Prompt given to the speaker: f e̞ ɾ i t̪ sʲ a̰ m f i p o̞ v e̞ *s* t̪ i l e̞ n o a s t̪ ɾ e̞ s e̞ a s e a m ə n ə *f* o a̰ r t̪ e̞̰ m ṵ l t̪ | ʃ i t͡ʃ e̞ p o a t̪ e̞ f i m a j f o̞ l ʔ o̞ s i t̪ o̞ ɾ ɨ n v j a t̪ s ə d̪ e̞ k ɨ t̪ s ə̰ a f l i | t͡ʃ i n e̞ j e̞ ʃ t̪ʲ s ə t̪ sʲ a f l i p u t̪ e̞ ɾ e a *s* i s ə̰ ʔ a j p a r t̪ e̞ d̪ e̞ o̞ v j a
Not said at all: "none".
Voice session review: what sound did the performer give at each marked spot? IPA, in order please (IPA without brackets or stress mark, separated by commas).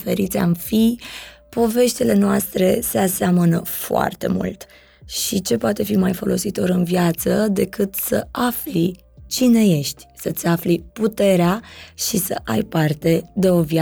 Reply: ʃ, f, ʃ